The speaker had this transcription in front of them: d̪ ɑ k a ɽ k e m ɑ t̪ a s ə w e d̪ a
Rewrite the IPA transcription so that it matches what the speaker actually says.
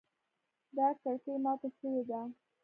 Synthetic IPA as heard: d̪ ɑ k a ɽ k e m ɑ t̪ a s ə w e d̪ a